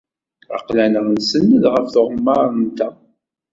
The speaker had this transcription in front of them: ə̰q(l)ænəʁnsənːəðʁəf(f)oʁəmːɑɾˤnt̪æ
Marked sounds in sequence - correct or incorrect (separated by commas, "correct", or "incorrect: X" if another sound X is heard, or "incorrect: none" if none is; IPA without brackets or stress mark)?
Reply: correct, incorrect: θ